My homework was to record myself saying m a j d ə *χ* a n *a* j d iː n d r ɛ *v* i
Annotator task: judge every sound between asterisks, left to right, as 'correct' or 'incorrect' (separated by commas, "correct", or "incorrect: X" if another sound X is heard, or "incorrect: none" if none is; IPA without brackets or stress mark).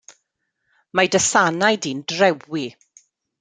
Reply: incorrect: s, correct, incorrect: w